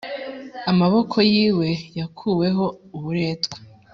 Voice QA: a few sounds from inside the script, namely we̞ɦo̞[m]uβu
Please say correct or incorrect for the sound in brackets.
incorrect: none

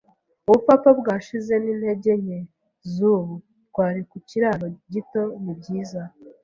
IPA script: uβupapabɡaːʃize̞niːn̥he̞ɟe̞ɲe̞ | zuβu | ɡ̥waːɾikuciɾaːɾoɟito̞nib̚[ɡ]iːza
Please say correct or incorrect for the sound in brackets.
incorrect: ɟ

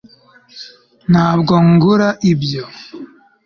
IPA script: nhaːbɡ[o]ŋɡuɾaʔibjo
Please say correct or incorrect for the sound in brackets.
correct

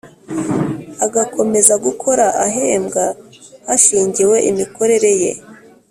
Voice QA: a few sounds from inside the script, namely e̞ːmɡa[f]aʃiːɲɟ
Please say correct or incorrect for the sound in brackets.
incorrect: h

